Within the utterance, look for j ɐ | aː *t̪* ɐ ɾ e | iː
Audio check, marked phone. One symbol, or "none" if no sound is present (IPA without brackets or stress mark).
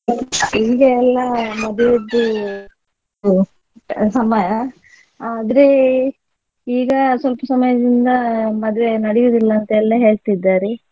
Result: d̪